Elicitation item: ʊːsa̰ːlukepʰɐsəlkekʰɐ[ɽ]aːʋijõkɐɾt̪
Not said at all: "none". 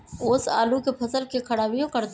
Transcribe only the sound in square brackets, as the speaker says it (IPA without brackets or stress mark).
ɽ